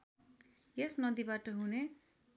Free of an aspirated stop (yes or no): yes